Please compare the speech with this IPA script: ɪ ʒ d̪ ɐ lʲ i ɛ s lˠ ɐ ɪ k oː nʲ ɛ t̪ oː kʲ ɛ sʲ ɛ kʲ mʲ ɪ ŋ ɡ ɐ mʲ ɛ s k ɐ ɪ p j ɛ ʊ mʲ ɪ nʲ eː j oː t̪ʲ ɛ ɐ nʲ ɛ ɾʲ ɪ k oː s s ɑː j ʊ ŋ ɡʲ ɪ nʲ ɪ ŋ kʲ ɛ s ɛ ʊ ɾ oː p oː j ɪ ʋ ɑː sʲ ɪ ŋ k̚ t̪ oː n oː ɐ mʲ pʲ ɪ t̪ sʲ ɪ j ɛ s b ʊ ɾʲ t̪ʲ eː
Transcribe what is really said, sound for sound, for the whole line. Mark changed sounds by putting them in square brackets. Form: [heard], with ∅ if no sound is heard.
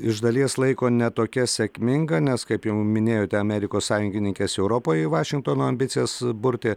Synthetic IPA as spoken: ɪ ʒ d̪ ɐ lʲ i ɛ s lˠ ɐ ɪ k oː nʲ ɛ t̪ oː kʲ ɛ sʲ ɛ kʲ mʲ ɪ ŋ ɡ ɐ [nʲ] ɛ s k ɐ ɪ p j ɛ ʊ mʲ ɪ nʲ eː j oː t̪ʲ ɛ ɐ [mʲ] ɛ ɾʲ ɪ k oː s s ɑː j ʊ ŋ ɡʲ ɪ nʲ ɪ ŋ kʲ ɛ s ɛ ʊ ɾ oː p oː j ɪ ʋ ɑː [ʃʲ] ɪ ŋ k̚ t̪ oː n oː ɐ mʲ [bʲ] ɪ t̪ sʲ ɪ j ɛ s b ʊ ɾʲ t̪ʲ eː